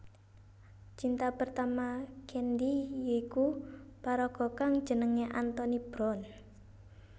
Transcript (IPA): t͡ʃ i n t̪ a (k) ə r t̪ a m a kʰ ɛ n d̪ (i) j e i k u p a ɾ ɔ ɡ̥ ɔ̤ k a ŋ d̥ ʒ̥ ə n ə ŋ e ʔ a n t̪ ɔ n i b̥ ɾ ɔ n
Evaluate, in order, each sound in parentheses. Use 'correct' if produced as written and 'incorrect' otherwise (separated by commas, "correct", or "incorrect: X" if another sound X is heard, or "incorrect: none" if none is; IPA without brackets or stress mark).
incorrect: p, correct